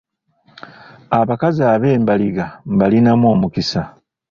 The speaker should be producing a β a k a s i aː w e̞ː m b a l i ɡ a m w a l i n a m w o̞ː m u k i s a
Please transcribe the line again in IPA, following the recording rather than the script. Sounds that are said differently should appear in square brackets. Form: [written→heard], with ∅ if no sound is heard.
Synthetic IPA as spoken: a β a k a [s→z] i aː [w→β] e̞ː m b a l i ɡ a m [w→b] a l i n a m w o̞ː m u k i s a